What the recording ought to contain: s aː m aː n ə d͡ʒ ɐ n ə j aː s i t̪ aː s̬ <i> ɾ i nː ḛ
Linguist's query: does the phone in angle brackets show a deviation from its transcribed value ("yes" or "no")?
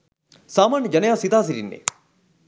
no